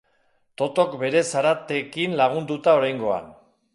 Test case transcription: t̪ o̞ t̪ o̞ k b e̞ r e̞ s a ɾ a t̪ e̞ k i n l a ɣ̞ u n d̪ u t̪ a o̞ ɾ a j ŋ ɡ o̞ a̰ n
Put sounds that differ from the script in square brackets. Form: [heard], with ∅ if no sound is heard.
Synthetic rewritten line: t̪ o̞ t̪ o̞ k b e̞ [ɾ] e̞ s a ɾ a t̪ e̞ k i n l a ɣ̞ u n d̪ u t̪ a o̞ ɾ a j ŋ ɡ o̞ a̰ n